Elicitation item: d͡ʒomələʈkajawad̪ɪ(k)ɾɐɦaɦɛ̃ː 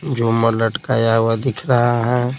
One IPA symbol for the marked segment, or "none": kʰ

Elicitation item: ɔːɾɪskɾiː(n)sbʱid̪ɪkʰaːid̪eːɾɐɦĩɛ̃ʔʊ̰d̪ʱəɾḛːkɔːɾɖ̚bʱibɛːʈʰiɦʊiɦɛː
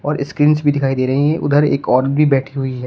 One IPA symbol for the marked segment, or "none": n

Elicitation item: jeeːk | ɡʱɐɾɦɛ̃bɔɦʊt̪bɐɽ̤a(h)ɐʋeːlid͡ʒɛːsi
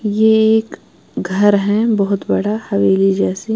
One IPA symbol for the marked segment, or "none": h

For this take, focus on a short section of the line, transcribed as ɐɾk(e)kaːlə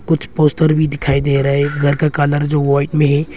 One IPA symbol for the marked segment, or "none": a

